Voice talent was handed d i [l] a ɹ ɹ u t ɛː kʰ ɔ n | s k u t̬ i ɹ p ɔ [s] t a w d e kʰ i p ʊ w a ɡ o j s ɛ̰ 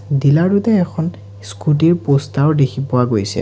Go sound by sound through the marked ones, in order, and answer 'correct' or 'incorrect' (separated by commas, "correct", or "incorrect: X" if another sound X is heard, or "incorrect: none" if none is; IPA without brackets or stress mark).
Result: correct, correct